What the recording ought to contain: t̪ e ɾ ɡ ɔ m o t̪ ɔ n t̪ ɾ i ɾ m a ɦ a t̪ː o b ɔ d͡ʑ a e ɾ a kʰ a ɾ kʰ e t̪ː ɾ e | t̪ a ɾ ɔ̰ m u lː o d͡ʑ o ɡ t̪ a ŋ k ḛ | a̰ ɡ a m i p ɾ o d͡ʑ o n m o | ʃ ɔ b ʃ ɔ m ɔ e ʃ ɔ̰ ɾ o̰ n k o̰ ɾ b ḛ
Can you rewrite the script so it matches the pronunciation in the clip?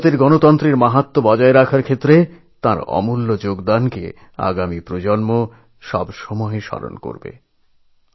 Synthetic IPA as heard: t̪ e ɾ ɡ ɔ n o t̪ ɔ n t̪ ɾ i ɾ m a ɦ a t̪ː o b ɔ d͡ʑ a e ɾ a kʰ a ɾ kʰ e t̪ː ɾ e | t̪ a ɾ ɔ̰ m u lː o d͡ʑ o ɡ d̪ a n k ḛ | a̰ ɡ a m i p ɾ o d͡ʑ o n m o | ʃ ɔ b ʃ ɔ m ɔ e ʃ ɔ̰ ɾ o̰ n k o̰ ɾ b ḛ